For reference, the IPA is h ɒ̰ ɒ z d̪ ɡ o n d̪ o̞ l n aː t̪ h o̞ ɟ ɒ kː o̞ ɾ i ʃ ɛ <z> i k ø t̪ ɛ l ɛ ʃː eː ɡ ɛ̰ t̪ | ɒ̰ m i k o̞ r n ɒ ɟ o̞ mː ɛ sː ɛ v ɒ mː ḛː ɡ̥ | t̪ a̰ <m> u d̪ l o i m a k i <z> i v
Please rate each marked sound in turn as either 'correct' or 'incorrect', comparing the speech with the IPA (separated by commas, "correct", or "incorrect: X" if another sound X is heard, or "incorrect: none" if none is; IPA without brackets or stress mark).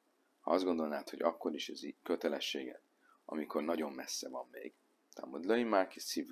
correct, correct, incorrect: s